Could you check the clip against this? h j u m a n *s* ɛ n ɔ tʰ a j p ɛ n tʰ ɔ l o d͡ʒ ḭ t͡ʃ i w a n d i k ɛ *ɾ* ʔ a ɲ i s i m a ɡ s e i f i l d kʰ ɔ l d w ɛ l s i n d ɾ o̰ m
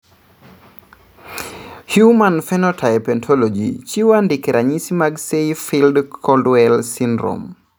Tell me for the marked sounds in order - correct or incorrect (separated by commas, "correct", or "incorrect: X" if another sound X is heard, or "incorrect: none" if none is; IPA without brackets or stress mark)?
incorrect: f, correct